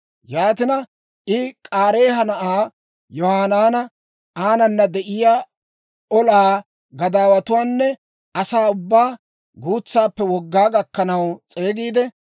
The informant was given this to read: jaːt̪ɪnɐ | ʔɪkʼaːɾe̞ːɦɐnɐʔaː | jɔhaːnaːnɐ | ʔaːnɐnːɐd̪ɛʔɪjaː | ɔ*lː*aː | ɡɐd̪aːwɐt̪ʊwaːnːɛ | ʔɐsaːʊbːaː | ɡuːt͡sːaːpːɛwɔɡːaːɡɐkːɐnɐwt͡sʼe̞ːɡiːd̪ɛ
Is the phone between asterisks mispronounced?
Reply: yes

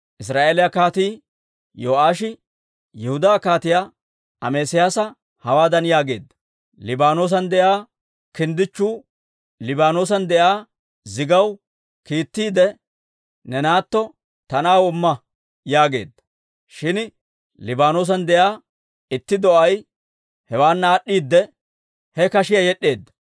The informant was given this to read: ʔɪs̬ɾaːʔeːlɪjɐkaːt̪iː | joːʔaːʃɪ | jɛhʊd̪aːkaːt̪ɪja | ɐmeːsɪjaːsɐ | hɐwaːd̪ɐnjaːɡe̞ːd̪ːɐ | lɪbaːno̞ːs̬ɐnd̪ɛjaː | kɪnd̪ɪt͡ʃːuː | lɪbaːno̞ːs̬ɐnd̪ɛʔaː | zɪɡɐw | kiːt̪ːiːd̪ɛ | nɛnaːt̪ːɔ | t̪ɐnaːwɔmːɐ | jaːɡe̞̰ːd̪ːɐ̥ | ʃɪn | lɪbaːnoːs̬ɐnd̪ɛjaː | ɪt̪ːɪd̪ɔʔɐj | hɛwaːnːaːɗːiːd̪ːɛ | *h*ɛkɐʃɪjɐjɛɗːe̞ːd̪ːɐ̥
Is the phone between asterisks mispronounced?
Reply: no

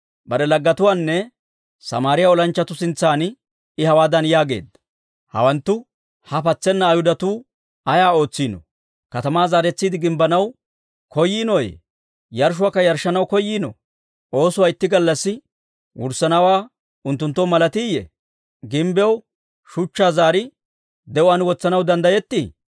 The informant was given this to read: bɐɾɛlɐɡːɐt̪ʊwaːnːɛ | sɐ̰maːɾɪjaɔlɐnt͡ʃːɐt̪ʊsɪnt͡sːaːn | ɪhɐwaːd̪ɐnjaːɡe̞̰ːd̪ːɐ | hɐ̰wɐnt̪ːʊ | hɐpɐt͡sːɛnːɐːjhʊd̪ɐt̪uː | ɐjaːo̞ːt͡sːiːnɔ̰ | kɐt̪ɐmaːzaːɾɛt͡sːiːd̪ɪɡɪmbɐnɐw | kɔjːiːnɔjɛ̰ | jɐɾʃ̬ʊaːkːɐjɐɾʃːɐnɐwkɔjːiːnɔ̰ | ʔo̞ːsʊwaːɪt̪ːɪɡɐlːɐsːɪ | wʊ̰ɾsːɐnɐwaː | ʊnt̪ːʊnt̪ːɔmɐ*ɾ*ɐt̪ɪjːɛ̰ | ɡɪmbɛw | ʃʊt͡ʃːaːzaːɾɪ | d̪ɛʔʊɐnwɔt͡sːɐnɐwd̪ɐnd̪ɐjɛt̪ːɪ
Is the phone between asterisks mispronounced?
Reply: yes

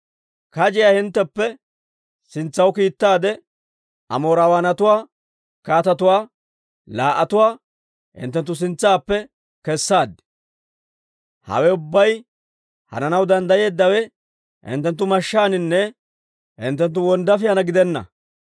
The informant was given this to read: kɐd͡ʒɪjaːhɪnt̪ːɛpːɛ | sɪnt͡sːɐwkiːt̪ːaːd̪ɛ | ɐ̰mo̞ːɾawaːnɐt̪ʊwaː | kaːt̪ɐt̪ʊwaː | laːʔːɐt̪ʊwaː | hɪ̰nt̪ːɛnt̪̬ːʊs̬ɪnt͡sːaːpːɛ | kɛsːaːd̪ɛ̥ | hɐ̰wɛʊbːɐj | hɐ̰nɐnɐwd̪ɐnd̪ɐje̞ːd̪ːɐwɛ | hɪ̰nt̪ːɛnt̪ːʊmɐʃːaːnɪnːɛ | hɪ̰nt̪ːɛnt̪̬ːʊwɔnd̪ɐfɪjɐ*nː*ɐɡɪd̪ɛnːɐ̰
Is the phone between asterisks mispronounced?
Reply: yes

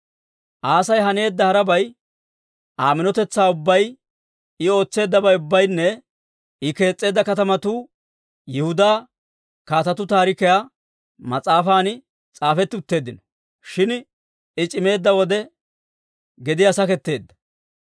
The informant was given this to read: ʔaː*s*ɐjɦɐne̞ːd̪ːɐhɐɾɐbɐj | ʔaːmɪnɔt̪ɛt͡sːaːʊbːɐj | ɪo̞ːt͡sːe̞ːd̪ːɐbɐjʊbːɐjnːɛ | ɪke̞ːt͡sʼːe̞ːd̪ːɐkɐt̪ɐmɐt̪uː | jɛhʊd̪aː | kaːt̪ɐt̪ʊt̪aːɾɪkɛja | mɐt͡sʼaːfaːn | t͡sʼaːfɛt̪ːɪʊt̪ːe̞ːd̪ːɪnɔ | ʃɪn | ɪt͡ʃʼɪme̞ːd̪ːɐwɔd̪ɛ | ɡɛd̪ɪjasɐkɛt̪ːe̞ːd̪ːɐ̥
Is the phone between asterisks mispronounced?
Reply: no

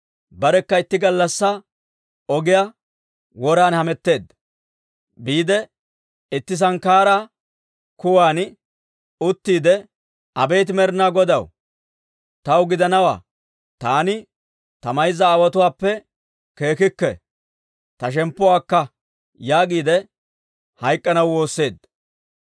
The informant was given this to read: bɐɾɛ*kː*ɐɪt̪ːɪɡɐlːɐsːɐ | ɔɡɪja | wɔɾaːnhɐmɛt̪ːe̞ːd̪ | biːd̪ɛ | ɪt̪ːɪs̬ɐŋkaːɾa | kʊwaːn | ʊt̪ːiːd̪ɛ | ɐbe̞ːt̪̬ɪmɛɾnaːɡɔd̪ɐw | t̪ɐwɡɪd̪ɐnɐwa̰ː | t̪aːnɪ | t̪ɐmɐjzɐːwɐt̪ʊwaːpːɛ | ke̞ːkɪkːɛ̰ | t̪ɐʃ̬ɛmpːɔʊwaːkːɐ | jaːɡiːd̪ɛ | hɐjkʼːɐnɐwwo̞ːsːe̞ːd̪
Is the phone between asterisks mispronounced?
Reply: no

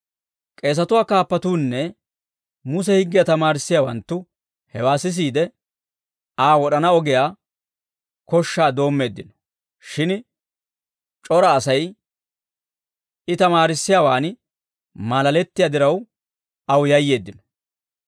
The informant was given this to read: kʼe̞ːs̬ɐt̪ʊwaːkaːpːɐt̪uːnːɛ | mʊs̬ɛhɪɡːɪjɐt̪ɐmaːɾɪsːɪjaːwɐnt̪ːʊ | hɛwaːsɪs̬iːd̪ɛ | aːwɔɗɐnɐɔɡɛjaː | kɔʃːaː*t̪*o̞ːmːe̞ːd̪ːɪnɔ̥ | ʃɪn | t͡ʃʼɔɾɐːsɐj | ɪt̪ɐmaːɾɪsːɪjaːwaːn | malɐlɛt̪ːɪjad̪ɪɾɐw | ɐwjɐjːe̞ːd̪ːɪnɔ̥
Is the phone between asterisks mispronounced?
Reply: yes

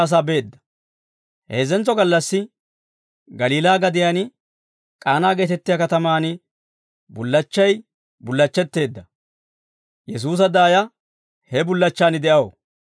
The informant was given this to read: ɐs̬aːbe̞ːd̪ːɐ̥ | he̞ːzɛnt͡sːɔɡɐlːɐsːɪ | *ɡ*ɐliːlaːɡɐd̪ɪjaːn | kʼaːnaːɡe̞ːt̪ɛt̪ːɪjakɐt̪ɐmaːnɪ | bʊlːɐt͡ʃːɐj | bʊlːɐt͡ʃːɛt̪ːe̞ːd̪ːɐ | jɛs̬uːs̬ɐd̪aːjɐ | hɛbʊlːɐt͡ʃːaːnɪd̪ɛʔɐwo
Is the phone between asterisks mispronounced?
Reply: no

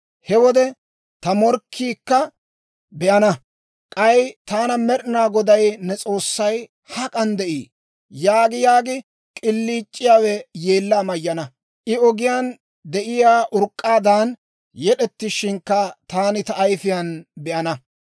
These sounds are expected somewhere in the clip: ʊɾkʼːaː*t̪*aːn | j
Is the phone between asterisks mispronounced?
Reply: yes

